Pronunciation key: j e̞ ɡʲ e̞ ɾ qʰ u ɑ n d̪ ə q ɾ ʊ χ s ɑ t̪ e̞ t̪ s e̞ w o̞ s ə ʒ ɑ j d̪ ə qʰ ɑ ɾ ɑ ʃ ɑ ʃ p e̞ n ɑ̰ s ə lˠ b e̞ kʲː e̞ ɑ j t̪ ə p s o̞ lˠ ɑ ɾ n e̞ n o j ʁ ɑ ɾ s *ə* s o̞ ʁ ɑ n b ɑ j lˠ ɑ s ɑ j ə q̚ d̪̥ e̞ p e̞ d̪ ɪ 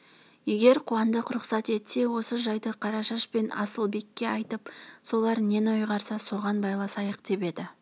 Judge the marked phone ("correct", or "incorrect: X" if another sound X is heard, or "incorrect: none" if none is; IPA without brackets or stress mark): incorrect: ɑ